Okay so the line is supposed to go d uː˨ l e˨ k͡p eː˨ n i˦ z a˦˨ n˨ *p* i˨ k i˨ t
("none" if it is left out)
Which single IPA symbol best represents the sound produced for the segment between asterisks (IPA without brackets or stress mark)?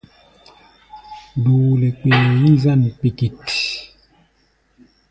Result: p